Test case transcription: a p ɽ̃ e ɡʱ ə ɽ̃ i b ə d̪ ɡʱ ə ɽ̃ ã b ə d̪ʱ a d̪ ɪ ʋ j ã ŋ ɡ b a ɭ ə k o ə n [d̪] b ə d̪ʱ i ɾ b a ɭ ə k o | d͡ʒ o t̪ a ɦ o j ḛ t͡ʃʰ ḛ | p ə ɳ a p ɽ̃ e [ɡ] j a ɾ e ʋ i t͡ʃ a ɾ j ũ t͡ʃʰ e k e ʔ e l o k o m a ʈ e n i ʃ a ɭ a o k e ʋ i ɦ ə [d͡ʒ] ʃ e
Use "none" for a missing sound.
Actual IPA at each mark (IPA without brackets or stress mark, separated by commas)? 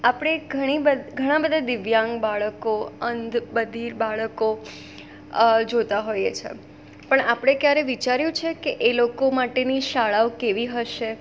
d̪, k, none